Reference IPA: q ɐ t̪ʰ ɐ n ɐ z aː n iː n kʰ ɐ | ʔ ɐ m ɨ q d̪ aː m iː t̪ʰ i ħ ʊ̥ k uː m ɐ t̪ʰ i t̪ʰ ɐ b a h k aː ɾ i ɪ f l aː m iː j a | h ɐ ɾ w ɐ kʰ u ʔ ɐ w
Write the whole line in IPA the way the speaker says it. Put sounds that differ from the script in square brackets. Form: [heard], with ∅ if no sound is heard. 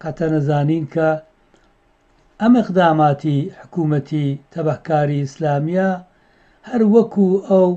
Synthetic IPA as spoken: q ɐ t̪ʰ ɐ n ɐ z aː n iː n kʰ ɐ | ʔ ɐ m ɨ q d̪ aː m [aː] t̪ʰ i ħ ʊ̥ k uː m ɐ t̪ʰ i t̪ʰ ɐ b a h k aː ɾ i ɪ [s] l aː m [i] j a | h ɐ ɾ w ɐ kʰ u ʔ ɐ w

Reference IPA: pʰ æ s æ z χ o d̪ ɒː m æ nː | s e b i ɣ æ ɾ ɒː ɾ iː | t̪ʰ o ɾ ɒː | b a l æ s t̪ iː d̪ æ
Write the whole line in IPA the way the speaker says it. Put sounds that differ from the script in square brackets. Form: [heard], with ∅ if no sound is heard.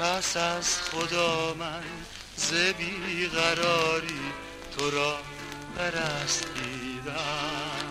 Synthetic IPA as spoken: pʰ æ s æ z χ o d̪ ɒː m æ [n] | [z] e b i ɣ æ ɾ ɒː ɾ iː | t̪ʰ o ɾ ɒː | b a [ɾ] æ s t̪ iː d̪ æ

